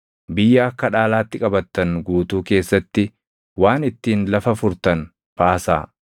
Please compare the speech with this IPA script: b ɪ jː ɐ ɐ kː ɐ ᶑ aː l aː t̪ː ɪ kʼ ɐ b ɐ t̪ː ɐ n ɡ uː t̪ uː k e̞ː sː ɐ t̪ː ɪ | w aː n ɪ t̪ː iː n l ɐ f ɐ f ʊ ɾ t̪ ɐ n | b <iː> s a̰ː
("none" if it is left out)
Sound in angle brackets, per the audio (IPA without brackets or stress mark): aː